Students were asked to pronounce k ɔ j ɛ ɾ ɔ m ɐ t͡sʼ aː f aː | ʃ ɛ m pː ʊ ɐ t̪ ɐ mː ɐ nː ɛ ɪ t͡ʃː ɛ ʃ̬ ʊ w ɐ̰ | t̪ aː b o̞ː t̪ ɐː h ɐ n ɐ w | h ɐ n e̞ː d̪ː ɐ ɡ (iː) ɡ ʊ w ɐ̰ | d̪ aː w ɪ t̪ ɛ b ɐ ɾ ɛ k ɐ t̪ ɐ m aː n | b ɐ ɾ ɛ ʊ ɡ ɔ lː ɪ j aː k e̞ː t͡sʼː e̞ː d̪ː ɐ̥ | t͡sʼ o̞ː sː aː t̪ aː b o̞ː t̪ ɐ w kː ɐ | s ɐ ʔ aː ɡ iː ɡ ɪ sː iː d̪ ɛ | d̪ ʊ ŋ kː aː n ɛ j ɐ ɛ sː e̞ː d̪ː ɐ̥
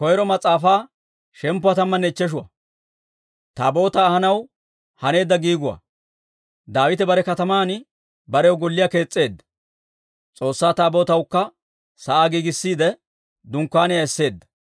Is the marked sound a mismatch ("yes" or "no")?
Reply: no